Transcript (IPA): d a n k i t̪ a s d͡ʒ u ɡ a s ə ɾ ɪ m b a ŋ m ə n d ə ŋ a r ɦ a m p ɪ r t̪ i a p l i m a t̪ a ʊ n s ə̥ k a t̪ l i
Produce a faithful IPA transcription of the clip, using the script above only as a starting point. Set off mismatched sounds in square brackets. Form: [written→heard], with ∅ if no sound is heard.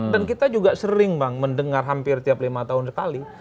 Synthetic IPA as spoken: d a n k i t̪ a [s→∅] d͡ʒ u ɡ a s ə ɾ ɪ [m→ŋ] b a ŋ m ə n d ə ŋ a r ɦ a m p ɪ r t̪ i a p l i m a t̪ a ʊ n s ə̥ k a [t̪→∅] l i